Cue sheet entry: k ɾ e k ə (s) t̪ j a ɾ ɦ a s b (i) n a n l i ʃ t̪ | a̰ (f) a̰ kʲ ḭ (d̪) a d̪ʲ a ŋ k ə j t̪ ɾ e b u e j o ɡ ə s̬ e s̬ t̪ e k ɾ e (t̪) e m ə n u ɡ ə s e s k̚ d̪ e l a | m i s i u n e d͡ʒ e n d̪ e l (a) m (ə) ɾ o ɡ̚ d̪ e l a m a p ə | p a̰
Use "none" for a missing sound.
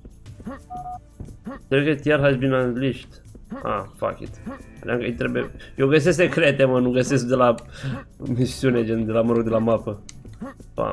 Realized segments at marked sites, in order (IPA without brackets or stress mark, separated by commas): none, i, f, t̪, t̪, a, ə